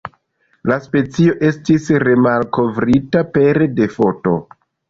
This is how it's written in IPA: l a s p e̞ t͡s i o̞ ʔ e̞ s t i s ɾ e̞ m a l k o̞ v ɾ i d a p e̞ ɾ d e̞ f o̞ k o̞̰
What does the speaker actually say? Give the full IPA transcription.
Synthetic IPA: l a s p e̞ t͡s i o̞ ʔ e̞ s t i s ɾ e̞ m a l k o̞ v ɾ i t a p e̞ ɾ d e̞ f o̞ t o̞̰